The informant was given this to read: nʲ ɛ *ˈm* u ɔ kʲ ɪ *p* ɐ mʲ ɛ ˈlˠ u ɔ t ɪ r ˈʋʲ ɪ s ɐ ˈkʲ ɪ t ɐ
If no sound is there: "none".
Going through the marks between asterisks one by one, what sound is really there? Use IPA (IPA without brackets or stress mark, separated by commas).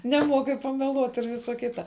m, p